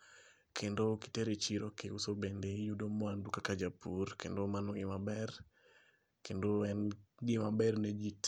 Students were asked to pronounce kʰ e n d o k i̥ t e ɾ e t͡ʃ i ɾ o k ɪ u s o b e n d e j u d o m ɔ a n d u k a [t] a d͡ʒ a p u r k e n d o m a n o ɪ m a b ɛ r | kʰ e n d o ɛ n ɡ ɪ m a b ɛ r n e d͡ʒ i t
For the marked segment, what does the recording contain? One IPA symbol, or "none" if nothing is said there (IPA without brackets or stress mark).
k